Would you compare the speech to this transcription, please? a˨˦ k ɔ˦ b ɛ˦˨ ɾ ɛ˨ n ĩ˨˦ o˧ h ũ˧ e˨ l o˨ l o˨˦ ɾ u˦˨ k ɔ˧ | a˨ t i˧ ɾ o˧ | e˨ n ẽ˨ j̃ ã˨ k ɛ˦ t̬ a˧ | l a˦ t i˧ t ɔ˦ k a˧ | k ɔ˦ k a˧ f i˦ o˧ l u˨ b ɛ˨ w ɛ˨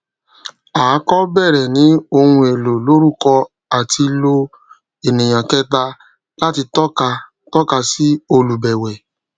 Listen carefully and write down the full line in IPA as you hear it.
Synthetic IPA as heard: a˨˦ k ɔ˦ b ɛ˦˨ ɾ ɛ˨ n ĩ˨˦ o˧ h ũ˧ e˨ l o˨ l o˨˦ ɾ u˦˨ k ɔ˧ | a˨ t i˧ l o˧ | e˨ n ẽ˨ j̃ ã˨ k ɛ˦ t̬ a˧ | l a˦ t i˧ t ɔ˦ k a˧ | t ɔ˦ k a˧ s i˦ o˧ l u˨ b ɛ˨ w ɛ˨